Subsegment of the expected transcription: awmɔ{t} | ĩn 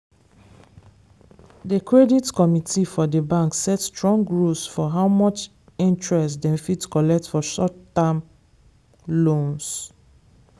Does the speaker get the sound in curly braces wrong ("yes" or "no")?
yes